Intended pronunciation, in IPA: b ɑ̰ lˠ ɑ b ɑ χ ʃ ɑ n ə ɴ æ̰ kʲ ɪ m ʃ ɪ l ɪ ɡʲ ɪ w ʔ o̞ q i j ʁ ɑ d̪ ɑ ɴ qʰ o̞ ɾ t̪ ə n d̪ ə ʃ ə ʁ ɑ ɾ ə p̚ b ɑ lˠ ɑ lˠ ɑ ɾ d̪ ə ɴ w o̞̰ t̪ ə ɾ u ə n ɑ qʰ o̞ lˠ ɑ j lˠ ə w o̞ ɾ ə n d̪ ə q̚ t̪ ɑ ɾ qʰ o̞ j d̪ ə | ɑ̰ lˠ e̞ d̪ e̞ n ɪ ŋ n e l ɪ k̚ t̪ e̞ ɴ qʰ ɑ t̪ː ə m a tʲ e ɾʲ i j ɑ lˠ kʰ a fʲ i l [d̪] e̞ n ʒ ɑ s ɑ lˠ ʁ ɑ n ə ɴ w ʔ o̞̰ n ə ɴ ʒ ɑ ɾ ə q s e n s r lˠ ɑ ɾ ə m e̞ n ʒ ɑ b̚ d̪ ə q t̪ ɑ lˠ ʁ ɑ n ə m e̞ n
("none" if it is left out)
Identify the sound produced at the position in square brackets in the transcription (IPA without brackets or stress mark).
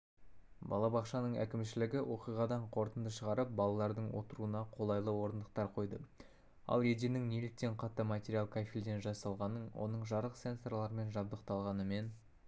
d̪